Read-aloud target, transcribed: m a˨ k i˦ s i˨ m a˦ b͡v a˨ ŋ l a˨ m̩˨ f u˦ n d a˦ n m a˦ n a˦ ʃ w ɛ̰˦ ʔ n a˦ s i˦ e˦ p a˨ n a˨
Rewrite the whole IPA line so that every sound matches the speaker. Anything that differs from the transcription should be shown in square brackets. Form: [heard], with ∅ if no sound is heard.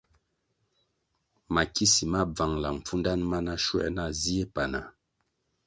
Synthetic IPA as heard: m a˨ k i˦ s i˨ m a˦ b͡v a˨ ŋ l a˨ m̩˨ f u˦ n d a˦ n m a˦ n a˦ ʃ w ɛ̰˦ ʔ n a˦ [z] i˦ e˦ p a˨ n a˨